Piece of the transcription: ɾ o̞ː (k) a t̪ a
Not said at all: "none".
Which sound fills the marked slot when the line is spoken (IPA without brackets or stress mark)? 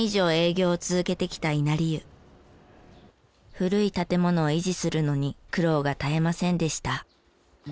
ɡ